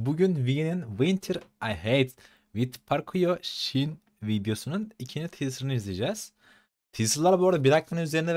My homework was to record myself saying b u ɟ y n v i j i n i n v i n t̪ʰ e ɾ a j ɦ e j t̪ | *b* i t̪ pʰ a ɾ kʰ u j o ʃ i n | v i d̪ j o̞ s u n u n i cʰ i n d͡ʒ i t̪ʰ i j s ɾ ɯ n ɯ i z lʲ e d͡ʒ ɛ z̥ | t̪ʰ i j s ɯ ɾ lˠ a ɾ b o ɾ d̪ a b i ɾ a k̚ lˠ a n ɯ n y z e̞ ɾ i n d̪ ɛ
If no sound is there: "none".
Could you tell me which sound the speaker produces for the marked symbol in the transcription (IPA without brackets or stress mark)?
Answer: v